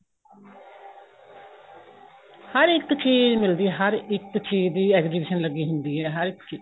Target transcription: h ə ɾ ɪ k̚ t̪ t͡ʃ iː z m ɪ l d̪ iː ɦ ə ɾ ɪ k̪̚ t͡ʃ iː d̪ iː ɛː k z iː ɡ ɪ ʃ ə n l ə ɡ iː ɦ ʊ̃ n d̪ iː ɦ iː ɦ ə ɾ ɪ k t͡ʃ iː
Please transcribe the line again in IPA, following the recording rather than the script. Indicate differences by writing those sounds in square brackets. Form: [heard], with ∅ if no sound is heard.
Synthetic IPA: h ə ɾ ɪ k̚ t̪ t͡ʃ iː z m ɪ l d̪ iː ɦ ə ɾ ɪ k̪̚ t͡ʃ iː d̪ iː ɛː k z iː [b] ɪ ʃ ə n l ə ɡ iː ɦ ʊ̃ n d̪ iː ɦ [ɛː] ɦ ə ɾ ɪ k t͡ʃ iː